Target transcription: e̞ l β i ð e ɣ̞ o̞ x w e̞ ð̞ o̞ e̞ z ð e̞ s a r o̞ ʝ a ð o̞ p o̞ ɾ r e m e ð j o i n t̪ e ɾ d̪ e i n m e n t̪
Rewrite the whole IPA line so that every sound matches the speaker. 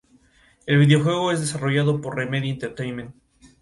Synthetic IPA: e̞ l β i ð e o̞ x w e̞ ɣ̞ o̞ e̞ z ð e̞ s a r o̞ ʝ a ð o̞ p o̞ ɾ r e m e ð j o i n t̪ e ɾ t̪ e j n m e n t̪